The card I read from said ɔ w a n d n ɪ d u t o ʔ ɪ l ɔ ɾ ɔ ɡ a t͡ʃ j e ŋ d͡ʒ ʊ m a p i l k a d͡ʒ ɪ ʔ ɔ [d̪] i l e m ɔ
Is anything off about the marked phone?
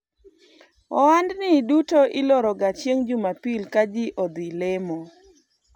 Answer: no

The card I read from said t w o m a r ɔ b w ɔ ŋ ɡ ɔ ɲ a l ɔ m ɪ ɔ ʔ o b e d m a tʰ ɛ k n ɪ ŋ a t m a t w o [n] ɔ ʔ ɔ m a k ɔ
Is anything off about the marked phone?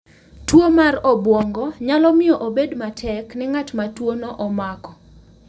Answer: no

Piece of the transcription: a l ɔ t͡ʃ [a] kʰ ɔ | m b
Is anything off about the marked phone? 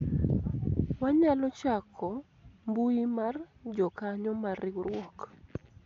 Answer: no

